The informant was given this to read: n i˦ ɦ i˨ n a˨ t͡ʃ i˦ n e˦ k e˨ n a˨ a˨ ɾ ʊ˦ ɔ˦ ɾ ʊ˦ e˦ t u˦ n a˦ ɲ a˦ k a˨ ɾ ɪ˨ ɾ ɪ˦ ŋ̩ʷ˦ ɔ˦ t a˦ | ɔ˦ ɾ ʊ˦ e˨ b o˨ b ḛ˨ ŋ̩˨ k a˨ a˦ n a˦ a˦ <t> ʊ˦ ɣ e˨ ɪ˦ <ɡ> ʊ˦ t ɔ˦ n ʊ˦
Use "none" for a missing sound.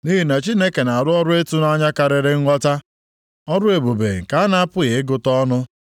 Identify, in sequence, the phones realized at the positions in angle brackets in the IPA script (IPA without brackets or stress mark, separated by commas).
p, ɡ